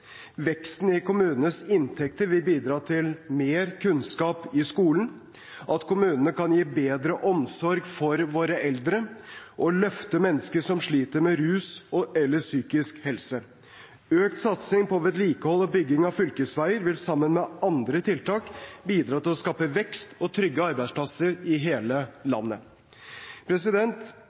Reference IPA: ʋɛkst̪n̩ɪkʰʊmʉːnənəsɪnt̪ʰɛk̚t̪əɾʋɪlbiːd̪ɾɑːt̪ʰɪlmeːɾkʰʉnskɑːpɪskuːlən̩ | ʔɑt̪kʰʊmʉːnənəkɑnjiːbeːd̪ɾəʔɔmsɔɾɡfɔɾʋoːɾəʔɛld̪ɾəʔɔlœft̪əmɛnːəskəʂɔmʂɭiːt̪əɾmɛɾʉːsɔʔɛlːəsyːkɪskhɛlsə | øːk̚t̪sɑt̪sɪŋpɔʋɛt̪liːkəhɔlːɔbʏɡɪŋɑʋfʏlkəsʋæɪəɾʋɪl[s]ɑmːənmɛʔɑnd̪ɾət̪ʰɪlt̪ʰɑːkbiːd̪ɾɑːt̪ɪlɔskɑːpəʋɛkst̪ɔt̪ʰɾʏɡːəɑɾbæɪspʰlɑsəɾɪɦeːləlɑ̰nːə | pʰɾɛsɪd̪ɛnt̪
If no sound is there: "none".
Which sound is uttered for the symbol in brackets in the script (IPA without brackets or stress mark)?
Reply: s